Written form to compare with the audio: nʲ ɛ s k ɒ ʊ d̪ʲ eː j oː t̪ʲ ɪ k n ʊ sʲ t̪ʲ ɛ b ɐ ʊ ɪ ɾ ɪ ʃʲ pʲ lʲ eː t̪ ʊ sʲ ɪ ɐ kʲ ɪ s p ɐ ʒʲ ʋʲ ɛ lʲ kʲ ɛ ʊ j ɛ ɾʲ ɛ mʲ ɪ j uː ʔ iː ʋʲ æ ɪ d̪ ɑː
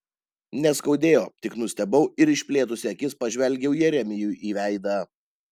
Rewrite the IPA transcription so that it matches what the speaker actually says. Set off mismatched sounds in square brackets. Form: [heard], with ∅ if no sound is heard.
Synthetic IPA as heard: nʲ ɛ s k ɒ ʊ d̪ʲ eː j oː t̪ʲ ɪ k n ʊ sʲ t̪ʲ ɛ b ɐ ʊ ɪ ɾ ɪ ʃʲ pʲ lʲ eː t̪ ʊ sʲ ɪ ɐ kʲ ɪ s p ɐ ʒʲ ʋʲ ɛ lʲ [ɡʲ] ɛ ʊ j ɛ ɾʲ ɛ mʲ ɪ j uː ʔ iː ʋʲ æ ɪ d̪ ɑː